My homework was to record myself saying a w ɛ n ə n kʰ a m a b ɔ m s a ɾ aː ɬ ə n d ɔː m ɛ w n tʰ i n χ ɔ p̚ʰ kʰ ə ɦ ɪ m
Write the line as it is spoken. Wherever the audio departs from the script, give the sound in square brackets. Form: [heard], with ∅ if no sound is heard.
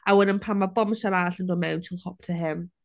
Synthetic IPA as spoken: a w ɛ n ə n [pʰ] a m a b ɔ m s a ɾ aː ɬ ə n d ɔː m ɛ w n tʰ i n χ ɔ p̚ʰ [tʰ] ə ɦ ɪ m